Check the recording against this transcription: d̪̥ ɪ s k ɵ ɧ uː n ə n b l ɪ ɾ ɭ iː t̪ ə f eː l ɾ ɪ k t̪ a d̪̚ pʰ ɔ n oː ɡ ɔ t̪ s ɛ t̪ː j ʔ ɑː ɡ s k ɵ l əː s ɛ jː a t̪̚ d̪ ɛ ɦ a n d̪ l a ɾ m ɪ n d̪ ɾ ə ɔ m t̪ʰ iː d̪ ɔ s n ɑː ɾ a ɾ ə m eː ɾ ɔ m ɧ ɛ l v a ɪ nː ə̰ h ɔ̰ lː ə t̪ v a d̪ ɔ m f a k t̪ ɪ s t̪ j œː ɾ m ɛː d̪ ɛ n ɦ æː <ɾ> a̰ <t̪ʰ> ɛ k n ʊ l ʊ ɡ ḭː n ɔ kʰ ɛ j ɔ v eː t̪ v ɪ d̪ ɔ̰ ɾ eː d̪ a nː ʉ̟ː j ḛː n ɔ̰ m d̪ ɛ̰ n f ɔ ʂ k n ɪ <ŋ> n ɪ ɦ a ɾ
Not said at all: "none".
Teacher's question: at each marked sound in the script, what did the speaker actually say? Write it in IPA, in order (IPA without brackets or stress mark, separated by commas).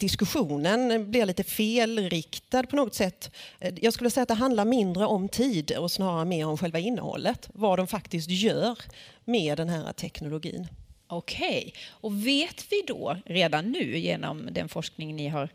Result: ɾ, t̪ʰ, ŋ